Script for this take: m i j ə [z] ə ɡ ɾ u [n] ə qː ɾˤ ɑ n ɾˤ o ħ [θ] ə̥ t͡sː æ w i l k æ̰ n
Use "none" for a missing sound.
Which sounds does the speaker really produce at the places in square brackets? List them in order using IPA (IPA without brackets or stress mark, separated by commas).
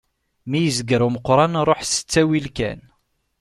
z, m, s